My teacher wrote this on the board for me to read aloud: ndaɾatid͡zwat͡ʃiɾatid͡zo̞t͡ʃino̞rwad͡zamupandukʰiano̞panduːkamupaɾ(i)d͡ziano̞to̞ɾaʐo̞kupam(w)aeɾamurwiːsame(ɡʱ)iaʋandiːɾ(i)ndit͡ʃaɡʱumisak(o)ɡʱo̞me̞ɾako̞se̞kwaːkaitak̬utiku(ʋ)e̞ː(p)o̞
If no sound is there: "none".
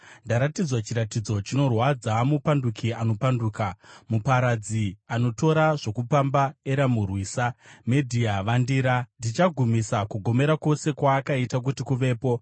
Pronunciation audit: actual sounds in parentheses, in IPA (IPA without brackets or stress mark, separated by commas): a, b, dʱ, a, u, ʋ, p